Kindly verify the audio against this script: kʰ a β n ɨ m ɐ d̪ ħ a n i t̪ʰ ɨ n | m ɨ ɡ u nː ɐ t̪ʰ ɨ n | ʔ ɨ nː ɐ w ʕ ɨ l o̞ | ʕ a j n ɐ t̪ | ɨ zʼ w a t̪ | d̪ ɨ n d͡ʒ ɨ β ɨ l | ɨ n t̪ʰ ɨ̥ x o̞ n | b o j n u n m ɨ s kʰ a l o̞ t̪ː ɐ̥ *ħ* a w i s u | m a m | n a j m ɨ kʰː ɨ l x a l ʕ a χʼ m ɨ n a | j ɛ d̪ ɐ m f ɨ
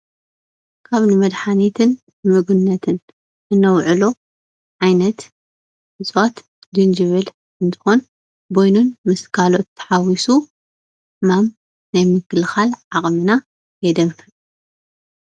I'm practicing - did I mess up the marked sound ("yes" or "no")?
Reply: no